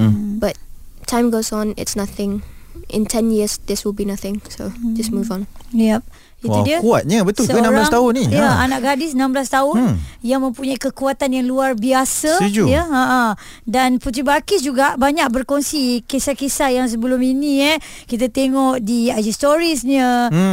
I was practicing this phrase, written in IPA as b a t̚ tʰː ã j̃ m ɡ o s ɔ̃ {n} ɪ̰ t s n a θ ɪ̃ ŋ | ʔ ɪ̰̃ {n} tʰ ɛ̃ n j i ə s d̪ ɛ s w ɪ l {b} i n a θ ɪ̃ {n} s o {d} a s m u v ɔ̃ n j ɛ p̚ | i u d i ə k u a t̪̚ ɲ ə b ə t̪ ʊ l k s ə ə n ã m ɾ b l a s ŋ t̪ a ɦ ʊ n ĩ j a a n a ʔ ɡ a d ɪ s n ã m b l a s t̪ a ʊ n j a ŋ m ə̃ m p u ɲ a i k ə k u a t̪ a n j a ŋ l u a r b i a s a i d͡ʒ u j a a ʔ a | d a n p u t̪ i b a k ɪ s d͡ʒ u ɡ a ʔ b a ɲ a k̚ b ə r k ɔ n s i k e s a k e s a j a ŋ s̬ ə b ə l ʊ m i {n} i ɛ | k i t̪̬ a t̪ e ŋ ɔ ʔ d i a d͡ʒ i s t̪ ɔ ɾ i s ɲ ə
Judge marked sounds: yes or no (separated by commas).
yes, yes, yes, no, no, yes